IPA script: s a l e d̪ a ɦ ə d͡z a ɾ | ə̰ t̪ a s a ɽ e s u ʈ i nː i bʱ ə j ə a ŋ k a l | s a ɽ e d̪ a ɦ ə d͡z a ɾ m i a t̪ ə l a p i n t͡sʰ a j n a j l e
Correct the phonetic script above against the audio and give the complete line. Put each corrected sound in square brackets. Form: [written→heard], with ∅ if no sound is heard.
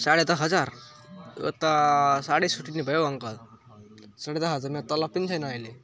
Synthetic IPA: s a [l→ɽ] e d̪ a ɦ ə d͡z a ɾ | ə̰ t̪ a s a ɽ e s u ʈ i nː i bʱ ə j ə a ŋ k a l | s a ɽ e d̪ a ɦ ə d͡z a ɾ m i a t̪ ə l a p i n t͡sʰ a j n a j l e